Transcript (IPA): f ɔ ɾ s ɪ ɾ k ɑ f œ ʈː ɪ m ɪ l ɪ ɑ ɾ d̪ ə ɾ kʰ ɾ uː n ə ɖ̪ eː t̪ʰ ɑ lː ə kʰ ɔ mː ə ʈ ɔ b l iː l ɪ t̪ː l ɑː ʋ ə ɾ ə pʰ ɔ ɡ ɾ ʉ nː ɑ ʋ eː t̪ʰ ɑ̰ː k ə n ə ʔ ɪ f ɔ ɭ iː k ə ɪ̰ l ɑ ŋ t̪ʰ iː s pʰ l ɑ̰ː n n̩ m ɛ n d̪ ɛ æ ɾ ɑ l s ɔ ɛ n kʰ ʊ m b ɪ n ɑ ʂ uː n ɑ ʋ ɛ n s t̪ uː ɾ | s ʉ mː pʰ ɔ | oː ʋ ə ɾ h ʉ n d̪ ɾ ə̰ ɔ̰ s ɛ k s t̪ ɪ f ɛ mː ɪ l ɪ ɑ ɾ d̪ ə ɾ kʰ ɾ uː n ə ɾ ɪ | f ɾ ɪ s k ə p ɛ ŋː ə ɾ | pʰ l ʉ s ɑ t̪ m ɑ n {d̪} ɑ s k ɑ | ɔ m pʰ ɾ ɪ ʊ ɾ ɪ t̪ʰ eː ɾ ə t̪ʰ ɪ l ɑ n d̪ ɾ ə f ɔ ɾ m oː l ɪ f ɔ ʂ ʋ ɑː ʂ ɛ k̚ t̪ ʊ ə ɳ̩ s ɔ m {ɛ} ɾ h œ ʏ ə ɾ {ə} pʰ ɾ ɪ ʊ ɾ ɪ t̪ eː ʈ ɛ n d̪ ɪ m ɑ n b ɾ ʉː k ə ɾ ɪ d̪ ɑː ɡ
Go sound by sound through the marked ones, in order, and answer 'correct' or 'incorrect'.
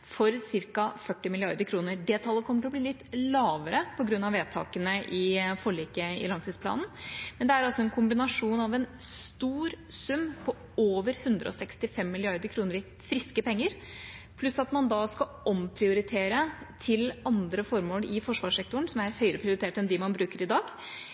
correct, incorrect, correct

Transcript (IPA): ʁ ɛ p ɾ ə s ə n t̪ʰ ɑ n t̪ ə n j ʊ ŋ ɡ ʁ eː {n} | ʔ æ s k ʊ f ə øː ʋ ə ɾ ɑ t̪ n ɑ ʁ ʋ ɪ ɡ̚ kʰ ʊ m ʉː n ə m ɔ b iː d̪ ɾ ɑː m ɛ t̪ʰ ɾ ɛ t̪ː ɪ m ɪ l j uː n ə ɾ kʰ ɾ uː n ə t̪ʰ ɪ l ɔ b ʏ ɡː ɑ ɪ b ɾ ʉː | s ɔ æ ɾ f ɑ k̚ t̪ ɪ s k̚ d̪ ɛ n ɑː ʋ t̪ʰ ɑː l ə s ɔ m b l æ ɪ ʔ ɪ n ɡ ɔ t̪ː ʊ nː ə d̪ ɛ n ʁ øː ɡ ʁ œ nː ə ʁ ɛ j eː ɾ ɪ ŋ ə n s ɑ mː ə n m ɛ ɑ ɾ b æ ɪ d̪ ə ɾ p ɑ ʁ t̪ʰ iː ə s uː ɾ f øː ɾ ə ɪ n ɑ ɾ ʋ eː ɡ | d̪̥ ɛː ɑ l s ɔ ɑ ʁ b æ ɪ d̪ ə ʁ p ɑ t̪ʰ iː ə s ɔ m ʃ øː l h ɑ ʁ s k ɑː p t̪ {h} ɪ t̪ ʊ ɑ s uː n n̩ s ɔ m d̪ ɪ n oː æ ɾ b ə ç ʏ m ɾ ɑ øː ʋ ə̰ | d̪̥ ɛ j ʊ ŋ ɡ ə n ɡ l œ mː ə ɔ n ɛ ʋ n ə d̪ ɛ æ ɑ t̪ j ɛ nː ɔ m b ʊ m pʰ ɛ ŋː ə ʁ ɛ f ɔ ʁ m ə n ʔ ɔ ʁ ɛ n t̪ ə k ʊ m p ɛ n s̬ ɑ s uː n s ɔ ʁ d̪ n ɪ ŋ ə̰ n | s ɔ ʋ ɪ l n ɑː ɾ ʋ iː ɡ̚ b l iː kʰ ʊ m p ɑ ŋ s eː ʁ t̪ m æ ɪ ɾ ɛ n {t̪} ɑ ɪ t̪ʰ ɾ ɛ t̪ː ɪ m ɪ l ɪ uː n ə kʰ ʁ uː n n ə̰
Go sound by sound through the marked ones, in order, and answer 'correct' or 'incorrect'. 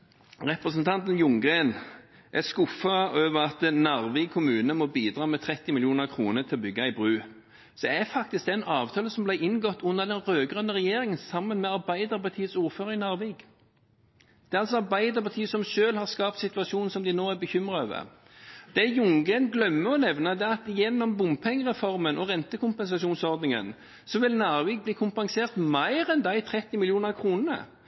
correct, incorrect, incorrect

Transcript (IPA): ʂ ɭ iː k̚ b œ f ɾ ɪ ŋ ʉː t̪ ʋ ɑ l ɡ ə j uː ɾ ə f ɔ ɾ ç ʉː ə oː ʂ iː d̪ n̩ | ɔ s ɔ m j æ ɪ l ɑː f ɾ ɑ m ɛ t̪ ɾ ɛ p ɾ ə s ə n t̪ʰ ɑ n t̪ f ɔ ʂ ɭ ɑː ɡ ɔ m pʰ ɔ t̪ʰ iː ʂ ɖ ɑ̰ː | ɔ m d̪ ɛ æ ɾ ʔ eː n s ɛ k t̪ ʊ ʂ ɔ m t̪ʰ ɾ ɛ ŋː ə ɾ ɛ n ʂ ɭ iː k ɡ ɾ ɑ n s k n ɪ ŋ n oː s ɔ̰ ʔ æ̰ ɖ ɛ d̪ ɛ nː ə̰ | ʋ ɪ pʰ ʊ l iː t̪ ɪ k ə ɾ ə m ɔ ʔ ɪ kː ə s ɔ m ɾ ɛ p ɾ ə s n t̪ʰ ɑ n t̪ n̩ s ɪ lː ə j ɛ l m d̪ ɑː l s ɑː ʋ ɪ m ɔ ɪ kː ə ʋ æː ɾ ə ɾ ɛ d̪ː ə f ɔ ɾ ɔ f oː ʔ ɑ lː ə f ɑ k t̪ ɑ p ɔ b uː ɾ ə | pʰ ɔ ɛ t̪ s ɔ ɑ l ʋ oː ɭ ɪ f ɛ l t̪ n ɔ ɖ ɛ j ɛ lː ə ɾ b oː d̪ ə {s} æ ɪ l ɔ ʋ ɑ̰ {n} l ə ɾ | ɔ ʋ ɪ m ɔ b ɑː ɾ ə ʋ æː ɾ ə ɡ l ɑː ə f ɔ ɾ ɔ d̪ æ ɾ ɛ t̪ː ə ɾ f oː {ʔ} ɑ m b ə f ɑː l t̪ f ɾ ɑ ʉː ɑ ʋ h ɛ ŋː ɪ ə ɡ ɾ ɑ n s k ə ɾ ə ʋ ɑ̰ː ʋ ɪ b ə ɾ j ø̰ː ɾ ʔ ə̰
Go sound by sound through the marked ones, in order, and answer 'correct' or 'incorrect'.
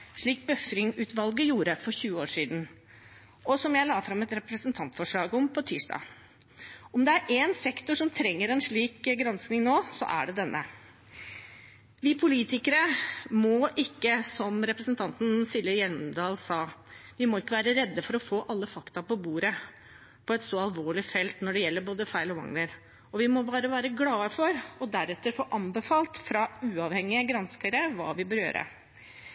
incorrect, incorrect, correct

